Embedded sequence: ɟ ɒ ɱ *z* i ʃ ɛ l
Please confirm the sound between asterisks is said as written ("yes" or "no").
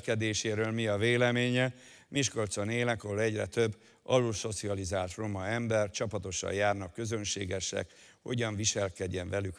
no